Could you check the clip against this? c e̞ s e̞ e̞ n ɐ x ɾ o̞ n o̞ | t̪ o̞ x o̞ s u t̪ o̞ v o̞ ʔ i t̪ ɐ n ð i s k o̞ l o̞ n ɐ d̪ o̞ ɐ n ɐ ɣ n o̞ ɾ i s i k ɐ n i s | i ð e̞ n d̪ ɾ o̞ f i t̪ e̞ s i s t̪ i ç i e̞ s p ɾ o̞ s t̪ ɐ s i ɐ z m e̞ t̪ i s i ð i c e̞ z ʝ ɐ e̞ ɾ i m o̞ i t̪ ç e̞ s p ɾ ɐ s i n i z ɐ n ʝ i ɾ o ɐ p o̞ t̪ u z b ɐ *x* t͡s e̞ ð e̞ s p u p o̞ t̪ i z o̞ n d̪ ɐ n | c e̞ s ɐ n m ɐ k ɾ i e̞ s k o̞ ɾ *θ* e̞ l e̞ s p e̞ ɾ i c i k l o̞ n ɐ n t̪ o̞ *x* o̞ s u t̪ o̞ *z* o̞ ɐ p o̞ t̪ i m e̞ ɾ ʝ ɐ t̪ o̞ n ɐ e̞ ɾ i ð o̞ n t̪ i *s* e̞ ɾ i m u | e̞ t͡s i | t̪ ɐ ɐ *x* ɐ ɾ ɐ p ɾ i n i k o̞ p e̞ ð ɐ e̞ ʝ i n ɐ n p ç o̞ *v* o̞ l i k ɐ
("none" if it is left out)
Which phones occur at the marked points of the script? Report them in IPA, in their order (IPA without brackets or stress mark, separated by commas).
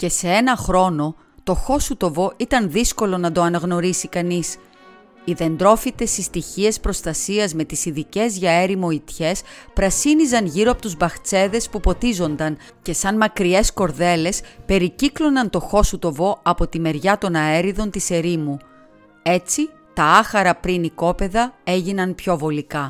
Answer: x, ð, x, v, s, x, v